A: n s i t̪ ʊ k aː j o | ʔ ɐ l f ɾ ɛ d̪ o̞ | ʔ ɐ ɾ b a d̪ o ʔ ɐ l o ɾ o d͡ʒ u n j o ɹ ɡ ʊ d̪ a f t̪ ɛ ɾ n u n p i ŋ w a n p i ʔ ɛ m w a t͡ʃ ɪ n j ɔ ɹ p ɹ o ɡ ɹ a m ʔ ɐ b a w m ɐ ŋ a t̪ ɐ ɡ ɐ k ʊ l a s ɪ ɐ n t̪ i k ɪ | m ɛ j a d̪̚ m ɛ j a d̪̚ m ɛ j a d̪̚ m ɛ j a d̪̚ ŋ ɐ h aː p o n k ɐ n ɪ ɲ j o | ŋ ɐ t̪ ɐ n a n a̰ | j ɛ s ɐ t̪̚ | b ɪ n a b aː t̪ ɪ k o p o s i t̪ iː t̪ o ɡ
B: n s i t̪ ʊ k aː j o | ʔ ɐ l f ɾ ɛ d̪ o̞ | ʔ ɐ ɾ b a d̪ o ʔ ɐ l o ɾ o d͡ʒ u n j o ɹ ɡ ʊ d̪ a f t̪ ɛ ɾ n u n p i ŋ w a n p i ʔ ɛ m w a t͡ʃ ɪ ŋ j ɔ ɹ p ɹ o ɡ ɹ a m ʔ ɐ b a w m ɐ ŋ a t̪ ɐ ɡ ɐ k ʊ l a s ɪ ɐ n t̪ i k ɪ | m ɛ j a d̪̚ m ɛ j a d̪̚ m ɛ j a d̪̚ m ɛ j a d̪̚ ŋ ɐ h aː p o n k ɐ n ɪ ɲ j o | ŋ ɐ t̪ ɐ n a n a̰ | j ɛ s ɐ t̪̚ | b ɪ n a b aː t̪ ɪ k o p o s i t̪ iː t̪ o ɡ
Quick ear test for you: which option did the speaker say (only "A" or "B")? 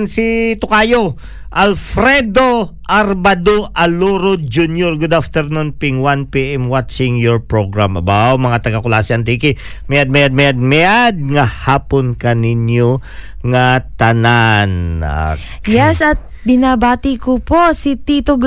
B